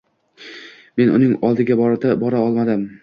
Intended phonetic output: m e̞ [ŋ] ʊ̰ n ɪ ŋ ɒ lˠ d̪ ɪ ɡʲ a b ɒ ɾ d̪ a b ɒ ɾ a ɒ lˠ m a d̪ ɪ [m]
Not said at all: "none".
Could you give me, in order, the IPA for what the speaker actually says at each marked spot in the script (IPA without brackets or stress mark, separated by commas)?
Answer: n, m